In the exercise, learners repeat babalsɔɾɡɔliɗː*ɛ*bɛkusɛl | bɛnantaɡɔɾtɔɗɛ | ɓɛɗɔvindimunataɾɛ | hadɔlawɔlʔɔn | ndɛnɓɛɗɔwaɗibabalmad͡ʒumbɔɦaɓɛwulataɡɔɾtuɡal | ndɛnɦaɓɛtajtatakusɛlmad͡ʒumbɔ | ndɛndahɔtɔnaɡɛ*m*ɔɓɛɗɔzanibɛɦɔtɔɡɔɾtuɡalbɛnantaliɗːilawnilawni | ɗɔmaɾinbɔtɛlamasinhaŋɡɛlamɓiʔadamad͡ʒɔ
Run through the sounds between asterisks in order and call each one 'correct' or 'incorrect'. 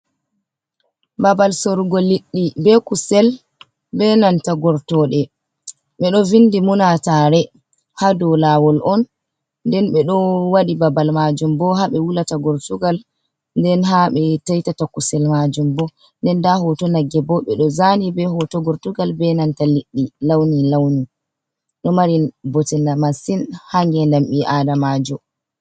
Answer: incorrect: i, incorrect: b

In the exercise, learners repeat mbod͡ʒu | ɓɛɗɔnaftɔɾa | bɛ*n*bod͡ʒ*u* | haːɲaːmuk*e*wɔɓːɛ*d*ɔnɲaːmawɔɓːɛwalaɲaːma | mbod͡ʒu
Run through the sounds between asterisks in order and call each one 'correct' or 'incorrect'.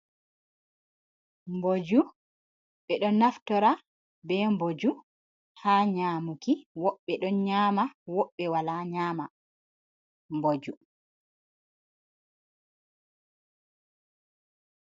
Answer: incorrect: m, correct, incorrect: i, incorrect: ɗ

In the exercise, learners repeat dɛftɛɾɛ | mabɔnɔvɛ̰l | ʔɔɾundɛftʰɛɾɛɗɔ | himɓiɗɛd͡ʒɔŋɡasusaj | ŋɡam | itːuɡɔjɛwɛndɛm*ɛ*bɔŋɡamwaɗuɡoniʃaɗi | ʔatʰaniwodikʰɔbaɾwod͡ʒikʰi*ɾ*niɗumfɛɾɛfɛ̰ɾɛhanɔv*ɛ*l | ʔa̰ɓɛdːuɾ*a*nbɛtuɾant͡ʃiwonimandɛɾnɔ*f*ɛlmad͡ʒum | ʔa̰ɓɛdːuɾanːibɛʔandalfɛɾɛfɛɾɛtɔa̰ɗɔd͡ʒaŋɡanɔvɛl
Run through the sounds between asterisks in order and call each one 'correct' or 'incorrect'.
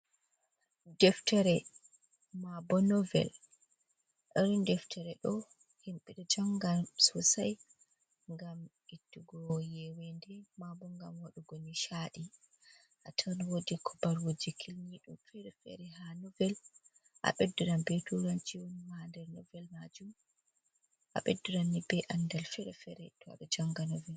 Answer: incorrect: a, incorrect: l, correct, correct, incorrect: v

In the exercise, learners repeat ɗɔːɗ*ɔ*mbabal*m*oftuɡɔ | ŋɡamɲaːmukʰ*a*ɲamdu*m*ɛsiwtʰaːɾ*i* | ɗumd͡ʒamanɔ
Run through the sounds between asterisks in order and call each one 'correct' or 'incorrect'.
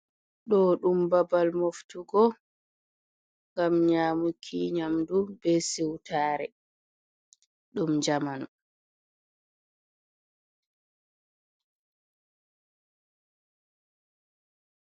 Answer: incorrect: u, correct, incorrect: i, incorrect: b, incorrect: ɛ

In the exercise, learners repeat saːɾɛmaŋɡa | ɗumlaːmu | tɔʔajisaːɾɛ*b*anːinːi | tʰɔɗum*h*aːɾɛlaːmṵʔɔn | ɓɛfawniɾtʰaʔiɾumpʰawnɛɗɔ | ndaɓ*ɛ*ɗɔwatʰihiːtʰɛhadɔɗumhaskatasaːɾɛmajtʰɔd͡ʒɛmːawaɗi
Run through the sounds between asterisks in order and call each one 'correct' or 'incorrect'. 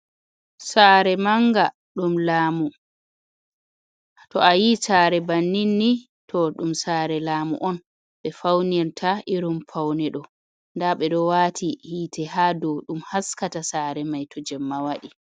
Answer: correct, incorrect: s, correct

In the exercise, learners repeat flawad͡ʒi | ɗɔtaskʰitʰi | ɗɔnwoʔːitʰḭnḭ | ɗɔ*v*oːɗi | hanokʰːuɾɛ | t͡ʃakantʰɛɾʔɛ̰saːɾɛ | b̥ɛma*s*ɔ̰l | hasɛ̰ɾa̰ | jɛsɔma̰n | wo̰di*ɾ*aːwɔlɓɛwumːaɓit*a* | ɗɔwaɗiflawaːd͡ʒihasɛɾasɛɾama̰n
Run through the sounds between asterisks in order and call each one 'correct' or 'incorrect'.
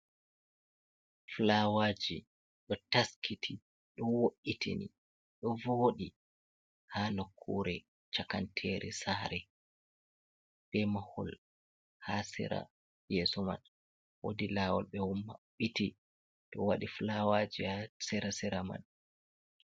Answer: correct, incorrect: h, incorrect: l, incorrect: i

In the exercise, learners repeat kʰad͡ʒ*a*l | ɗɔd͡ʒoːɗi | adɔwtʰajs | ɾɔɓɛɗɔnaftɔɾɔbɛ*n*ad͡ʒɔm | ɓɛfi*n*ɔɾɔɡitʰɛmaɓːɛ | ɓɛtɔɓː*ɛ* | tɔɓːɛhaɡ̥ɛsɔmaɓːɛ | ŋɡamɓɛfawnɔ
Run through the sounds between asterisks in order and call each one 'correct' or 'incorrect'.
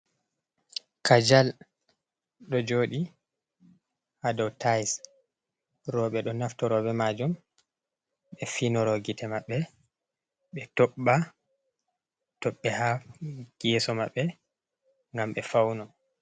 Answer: correct, incorrect: m, correct, incorrect: a

